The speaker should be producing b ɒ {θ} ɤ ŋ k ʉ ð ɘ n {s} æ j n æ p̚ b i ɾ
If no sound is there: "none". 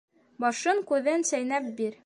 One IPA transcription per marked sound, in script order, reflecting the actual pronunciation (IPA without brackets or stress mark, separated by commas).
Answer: ʃ, s